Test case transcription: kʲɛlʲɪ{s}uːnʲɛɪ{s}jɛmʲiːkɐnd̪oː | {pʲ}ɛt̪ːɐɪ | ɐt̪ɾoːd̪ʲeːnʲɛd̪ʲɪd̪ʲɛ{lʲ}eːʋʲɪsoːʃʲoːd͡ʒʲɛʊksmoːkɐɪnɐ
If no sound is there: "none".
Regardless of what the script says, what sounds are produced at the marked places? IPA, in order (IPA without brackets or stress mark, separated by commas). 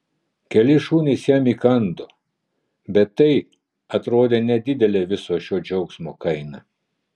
ʃ, s, bʲ, lʲ